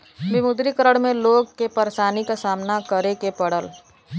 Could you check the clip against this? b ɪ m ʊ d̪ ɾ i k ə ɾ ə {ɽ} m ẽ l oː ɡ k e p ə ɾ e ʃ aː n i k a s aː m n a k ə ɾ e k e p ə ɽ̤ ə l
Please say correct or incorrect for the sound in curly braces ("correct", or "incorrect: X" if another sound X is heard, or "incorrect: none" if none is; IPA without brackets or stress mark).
correct